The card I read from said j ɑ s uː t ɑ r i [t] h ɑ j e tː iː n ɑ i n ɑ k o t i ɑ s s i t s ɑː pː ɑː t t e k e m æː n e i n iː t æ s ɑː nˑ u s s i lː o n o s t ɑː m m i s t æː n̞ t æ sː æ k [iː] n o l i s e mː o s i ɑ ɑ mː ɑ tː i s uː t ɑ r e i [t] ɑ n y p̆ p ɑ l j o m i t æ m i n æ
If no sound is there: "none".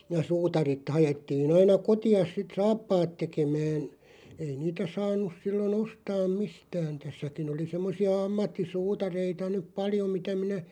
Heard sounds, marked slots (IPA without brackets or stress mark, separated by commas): t, i, t